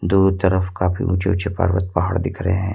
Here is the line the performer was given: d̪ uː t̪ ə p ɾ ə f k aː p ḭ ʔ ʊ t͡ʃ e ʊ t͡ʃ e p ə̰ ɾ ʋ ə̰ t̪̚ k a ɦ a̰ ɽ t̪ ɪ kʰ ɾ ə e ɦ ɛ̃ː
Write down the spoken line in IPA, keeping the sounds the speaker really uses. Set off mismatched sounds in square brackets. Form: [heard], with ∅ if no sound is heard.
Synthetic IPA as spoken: d̪ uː t̪ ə [∅] ɾ ə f k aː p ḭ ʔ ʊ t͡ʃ e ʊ t͡ʃ e p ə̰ ɾ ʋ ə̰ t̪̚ [p] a ɦ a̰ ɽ [d̪] ɪ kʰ ɾ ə e ɦ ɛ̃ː